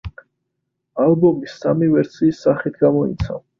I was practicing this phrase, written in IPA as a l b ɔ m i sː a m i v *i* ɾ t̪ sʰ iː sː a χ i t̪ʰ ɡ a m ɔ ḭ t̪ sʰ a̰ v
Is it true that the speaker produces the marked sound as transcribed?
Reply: no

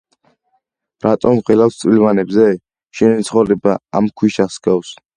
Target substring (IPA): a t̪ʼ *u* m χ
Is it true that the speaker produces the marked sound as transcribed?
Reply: no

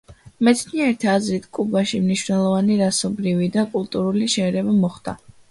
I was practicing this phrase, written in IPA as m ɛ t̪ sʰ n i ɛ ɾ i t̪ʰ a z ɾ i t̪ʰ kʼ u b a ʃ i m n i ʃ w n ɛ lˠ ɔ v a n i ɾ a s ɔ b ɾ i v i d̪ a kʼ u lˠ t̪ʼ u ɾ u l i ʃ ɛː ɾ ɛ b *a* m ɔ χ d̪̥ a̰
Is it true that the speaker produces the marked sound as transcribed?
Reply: yes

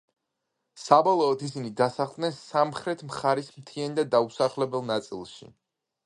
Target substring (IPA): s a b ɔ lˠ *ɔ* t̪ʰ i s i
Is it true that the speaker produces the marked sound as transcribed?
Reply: no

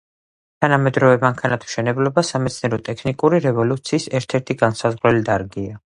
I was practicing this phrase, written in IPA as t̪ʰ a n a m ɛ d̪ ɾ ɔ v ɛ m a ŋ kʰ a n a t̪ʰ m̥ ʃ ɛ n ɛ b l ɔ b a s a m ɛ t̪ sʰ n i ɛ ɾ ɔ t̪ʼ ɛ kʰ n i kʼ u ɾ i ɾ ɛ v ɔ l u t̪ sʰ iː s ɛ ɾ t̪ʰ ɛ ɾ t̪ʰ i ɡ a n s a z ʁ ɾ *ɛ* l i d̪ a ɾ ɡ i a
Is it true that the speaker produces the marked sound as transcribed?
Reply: yes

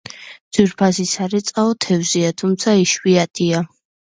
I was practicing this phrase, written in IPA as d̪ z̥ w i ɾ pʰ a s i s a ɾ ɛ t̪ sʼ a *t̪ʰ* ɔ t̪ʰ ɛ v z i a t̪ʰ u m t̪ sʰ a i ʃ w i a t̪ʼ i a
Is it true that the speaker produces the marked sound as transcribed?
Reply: no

